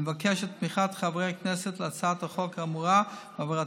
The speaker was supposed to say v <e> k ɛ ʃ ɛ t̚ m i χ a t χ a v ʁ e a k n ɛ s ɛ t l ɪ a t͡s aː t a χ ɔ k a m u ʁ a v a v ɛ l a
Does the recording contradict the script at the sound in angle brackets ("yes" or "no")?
yes